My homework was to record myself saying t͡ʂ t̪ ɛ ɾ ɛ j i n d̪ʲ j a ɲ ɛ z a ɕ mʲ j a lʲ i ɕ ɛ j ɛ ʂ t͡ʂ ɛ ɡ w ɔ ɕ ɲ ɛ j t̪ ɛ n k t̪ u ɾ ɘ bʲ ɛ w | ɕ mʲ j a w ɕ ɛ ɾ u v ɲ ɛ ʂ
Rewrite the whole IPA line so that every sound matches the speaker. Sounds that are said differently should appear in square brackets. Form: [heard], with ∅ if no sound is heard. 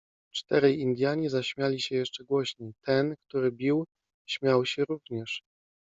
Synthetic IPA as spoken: t͡ʂ t̪ ɛ ɾ ɛ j i n d̪ʲ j a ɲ ɛ z a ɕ mʲ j a lʲ i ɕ ɛ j ɛ ʂ t͡ʂ ɛ ɡ w ɔ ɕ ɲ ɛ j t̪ ɛ n k t̪ u ɾ ɘ bʲ [i] w | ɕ mʲ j a w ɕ ɛ ɾ u v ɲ ɛ ʂ